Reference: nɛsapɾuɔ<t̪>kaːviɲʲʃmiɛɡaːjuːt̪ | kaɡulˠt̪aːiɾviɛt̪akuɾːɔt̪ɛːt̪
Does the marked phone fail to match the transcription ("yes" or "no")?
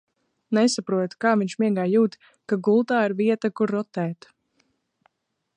no